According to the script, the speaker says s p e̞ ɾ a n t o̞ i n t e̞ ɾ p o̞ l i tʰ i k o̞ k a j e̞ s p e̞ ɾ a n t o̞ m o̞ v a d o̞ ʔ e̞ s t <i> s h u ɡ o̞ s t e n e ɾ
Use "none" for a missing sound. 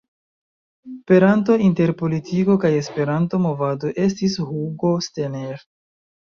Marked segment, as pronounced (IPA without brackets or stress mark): i